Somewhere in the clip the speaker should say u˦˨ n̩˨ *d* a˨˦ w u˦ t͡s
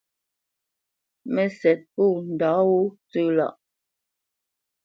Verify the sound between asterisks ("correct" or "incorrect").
correct